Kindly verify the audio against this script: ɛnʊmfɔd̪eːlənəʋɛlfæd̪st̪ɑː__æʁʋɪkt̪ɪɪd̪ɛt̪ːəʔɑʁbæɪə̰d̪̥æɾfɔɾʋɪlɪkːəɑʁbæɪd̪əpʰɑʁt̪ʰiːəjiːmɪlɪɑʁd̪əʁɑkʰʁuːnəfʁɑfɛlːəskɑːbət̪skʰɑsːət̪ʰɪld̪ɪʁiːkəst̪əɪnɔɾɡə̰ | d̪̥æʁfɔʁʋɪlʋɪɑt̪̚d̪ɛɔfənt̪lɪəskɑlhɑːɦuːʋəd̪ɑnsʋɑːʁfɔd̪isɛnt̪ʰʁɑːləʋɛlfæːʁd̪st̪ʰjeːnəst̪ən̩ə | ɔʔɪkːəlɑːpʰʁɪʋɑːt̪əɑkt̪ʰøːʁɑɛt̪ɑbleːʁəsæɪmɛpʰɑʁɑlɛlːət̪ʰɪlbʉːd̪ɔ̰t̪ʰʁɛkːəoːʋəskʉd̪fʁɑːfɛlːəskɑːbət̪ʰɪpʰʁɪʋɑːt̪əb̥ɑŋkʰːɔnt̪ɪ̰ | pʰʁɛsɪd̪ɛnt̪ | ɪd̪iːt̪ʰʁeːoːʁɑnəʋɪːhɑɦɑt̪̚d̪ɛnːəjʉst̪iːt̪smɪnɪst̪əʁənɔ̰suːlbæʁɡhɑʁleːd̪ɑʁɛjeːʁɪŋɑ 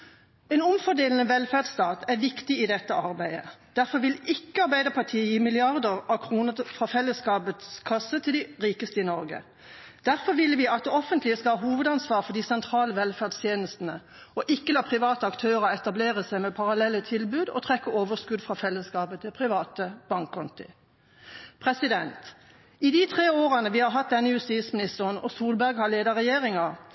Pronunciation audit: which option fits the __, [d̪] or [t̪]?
t̪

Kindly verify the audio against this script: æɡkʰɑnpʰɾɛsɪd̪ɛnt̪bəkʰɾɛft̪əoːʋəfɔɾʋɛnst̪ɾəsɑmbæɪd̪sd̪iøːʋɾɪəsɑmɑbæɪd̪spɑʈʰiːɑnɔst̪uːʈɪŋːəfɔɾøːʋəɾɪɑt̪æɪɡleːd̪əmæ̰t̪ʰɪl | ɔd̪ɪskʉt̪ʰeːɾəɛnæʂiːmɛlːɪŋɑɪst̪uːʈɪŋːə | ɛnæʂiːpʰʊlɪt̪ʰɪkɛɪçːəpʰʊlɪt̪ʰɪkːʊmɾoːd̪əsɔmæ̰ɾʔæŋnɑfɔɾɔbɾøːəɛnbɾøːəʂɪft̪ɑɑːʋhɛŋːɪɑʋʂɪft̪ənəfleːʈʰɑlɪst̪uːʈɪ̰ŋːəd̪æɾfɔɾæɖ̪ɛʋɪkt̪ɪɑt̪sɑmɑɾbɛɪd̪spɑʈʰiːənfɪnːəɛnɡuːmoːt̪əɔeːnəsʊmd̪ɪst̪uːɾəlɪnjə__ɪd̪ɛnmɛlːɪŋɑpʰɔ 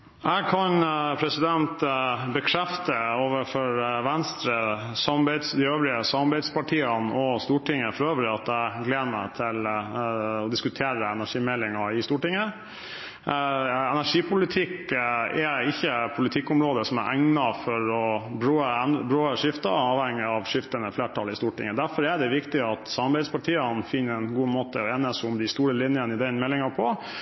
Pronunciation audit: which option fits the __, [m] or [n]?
n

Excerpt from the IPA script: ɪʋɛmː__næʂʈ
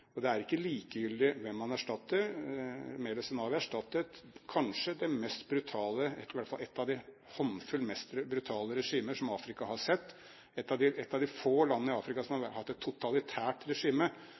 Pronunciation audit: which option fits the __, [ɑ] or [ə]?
ɑ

